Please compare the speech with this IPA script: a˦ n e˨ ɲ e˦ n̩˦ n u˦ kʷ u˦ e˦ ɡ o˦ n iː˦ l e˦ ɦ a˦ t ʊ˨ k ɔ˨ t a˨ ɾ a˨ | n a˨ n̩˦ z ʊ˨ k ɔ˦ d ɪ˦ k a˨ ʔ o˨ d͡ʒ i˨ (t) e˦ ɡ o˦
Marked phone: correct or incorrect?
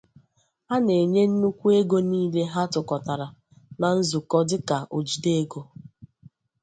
incorrect